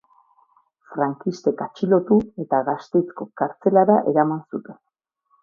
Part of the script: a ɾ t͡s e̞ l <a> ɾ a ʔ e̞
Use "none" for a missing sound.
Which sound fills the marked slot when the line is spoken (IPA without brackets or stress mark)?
a